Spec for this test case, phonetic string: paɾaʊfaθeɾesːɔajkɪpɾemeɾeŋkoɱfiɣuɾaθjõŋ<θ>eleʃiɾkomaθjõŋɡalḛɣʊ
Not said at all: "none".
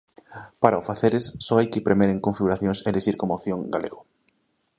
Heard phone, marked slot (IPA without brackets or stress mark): s